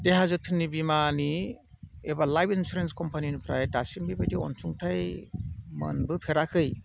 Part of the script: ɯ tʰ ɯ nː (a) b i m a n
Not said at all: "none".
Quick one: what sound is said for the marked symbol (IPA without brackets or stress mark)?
i